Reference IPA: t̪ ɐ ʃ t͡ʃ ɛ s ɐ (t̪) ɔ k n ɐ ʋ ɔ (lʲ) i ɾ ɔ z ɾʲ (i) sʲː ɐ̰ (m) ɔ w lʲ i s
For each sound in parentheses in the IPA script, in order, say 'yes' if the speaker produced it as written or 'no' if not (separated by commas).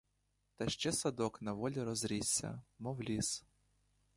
no, yes, yes, yes